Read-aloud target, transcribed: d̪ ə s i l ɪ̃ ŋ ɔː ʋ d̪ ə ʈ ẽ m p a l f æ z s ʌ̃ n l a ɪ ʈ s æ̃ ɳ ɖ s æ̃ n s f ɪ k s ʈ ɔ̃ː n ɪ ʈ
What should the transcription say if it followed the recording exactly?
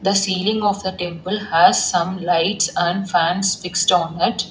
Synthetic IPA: d̪ ə s iː l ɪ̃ ŋ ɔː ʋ d̪ ə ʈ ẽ m p ə l h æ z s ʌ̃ m l a ɪ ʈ s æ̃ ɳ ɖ f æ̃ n s f ɪ k s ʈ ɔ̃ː n ɪ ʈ